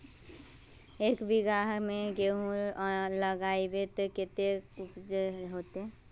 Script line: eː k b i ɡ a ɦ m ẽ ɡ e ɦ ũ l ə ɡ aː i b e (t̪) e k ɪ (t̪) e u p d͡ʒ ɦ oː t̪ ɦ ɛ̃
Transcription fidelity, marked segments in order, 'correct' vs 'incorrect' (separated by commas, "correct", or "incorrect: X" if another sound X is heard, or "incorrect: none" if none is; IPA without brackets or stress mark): correct, correct